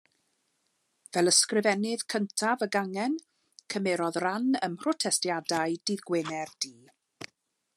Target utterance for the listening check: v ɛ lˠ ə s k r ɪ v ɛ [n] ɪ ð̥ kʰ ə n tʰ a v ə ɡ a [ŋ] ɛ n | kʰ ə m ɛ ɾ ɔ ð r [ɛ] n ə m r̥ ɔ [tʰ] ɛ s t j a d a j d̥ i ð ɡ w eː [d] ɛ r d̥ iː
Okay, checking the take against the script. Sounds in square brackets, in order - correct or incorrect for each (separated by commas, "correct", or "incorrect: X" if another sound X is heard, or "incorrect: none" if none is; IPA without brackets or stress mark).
correct, correct, incorrect: a, correct, incorrect: n